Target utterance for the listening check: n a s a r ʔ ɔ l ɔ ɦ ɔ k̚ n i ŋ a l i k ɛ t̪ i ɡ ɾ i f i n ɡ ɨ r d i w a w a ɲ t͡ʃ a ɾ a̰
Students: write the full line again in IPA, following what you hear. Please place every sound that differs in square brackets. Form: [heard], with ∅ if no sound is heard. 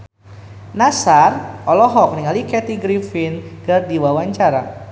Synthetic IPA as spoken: n a s a r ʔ ɔ l ɔ ɦ ɔ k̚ n i ŋ a l i k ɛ t̪ i ɡ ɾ i f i n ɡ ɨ r d i w a w a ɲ t͡ʃ a ɾ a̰